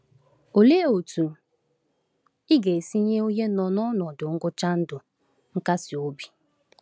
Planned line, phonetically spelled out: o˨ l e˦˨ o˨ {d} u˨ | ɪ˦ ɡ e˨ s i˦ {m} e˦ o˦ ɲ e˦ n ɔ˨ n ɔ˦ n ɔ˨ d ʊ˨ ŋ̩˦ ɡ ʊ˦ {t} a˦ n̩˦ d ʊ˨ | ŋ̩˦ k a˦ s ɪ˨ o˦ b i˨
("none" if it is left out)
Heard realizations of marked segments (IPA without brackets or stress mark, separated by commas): t, ɲ, t͡ʃ